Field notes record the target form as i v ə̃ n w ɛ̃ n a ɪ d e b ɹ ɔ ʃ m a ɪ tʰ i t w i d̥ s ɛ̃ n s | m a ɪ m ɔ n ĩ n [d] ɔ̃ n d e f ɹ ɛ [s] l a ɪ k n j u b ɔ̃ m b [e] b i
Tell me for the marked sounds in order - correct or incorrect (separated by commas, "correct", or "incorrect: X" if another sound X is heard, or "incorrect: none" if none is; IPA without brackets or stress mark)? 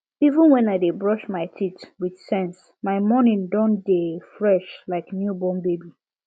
correct, incorrect: ʃ, correct